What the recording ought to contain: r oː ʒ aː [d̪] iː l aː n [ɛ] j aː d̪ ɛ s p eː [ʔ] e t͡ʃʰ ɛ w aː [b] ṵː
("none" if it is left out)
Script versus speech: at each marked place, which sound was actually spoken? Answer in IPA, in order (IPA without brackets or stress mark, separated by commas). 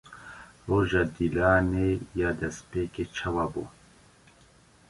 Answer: d̪, e, k, b